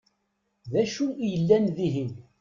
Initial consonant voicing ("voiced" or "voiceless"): voiced